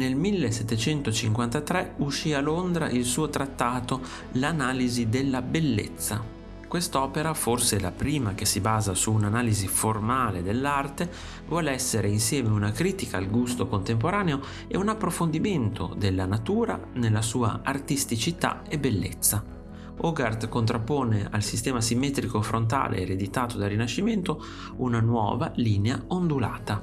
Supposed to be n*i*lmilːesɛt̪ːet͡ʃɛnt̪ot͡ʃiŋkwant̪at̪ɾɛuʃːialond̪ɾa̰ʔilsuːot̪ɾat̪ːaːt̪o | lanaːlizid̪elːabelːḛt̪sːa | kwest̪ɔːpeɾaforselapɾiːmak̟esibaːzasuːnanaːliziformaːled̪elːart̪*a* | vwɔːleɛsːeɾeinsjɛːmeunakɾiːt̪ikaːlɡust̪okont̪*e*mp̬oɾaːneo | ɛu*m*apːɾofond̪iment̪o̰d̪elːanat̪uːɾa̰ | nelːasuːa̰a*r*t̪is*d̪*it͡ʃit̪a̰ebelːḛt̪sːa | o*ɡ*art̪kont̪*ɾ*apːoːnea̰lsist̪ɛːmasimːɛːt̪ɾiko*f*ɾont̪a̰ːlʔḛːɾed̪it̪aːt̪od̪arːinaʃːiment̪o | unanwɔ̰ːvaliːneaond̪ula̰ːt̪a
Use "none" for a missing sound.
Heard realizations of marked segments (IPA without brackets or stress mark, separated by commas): e, e, e, n, r, t̪, ɡ, ɾ, f